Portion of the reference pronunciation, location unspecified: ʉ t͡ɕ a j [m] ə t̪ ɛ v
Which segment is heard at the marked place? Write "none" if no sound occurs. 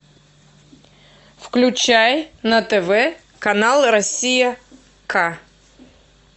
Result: n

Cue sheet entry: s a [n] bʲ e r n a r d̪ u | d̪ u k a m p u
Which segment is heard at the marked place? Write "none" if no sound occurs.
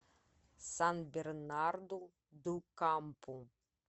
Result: n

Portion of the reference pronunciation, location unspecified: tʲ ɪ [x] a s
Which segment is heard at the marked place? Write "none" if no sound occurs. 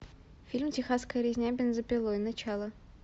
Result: x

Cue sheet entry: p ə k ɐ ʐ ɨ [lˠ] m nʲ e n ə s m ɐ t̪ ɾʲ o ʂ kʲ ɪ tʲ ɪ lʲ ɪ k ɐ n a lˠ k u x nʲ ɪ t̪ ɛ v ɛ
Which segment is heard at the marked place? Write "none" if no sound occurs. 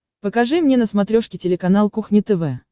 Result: none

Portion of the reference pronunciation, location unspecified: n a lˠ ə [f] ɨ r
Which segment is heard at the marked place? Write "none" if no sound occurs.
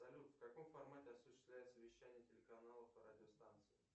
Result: f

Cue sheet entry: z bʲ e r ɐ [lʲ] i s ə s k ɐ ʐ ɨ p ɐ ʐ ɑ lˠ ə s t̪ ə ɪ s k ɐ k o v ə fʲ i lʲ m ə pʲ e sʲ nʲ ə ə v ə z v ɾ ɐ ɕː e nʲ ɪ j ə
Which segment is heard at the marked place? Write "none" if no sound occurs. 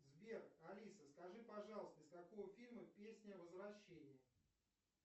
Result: lʲ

